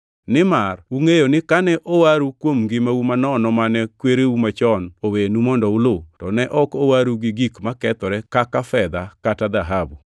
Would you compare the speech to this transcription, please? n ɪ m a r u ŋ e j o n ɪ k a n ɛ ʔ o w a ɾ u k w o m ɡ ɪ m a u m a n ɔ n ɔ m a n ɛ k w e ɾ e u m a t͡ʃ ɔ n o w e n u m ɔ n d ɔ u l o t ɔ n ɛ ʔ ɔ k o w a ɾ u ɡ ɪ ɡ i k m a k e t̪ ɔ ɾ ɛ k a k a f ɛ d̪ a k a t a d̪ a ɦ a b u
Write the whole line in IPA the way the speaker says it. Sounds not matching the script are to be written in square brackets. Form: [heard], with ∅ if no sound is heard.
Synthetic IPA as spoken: n ɪ m a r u ŋ e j o n ɪ k a n ɛ ʔ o w a ɾ u k w o m ɡ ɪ m a u m a n ɔ n ɔ m a n ɛ k w e ɾ e u m a t͡ʃ ɔ n o w e n u m ɔ n d ɔ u l o t ɔ n ɛ ʔ ɔ k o w a ɾ u ɡ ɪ ɡ i k m a k [ɛ] t̪ ɔ ɾ ɛ k a k a f ɛ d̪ a k a t a d̪ a ɦ a b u